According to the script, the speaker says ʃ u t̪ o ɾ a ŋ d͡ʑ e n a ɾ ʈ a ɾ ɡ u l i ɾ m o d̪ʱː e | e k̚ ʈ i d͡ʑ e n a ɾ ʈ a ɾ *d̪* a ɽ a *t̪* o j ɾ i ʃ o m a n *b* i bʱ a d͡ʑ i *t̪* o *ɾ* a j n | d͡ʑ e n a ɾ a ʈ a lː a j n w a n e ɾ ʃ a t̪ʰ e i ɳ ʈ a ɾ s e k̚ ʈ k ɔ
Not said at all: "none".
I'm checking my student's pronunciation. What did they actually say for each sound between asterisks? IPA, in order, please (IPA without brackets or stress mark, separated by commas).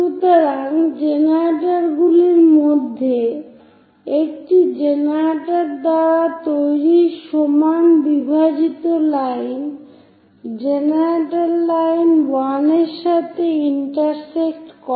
d̪, t̪, b, t̪, l